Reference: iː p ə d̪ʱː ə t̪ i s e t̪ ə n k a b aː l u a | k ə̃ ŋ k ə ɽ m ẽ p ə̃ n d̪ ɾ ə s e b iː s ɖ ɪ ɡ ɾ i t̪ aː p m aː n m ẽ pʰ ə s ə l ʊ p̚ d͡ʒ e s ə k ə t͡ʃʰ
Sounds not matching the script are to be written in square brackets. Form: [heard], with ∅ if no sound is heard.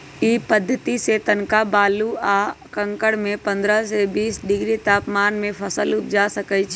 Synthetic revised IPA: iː p ə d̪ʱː ə t̪ i s e t̪ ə n k a b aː l u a | k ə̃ ŋ k ə ɽ m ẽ p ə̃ n d̪ ɾ ə s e b iː s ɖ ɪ ɡ ɾ i t̪ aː p m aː n m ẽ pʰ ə s ə l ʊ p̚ d͡ʒ [a] s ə k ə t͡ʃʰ